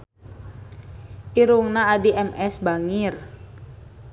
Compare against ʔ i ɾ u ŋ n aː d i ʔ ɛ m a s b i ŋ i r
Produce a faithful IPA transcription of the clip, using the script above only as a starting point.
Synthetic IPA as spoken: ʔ i ɾ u ŋ n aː d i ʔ ɛ m ɛ s b a ŋ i r